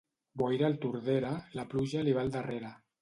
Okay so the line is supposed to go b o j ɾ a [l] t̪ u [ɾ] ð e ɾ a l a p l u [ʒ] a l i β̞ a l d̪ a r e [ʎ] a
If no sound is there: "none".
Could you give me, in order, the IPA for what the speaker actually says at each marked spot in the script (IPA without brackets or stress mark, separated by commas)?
l, ɾ, ʒ, ɾ